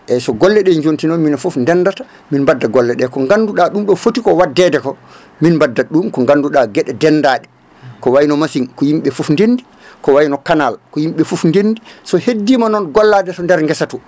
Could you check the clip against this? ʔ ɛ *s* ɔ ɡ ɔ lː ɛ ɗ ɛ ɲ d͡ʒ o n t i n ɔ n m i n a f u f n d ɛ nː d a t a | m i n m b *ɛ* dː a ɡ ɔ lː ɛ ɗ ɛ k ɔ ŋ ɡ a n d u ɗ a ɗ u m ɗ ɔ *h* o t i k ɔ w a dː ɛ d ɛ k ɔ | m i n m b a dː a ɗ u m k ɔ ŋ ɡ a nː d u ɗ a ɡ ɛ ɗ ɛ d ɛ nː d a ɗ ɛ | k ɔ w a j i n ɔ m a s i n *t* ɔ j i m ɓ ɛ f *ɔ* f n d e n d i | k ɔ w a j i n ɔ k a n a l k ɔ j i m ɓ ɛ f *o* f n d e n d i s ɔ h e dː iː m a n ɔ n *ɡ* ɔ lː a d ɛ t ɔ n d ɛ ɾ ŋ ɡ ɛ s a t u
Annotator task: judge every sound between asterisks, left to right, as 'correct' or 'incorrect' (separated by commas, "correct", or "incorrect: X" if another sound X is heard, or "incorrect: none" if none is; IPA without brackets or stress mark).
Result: correct, incorrect: a, incorrect: f, incorrect: k, incorrect: u, incorrect: u, correct